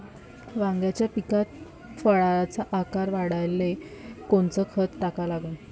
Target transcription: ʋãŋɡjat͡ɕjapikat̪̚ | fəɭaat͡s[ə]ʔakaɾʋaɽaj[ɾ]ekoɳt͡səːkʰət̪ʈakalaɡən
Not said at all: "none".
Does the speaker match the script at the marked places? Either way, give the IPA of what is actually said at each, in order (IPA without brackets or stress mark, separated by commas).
a, l